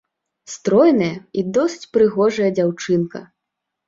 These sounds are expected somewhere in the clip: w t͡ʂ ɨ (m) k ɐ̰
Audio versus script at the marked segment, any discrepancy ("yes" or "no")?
yes